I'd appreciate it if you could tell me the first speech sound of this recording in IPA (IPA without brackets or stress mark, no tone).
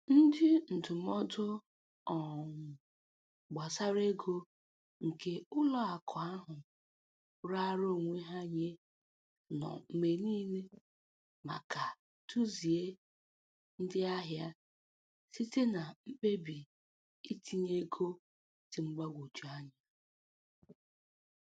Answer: n̩